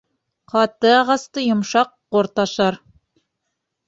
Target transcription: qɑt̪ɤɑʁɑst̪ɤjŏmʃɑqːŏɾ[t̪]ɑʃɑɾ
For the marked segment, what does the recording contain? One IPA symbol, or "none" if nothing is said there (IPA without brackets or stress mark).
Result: t̪